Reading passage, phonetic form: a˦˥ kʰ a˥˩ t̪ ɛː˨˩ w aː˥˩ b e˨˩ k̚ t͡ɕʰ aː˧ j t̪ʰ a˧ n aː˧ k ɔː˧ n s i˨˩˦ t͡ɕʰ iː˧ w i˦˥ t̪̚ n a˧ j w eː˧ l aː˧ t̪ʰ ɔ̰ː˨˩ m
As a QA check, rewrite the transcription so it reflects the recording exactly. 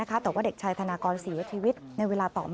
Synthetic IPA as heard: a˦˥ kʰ a˦˥ t̪ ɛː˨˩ w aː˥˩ d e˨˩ k̚ t͡ɕʰ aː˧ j t̪ʰ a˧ n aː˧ k ɔː˧ n s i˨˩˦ t͡ɕʰ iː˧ w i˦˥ t̪̚ n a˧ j w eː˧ l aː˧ t̪ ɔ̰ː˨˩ m